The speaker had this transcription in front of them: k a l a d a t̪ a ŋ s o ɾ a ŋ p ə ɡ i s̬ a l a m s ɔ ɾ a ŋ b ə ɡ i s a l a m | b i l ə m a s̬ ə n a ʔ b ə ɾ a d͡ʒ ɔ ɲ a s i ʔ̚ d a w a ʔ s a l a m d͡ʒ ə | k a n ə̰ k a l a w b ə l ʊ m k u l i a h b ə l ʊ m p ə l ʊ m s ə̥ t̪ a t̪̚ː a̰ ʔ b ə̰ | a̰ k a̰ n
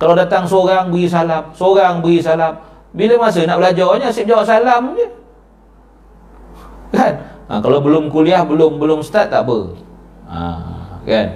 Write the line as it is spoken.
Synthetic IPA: k a l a d a t̪ a ŋ s o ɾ a ŋ b ə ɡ i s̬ a l a m s o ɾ a ŋ b ə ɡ i s a l a m | b i l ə m a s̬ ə n a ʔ b ə l a d͡ʒ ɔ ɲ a s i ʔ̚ d͡ʒ a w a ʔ s a l a m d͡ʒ ə | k a n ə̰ k a l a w b ə l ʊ m k u l i a h b ə l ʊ m b ə l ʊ m s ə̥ t̪ a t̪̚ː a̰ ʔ b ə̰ | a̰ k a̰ n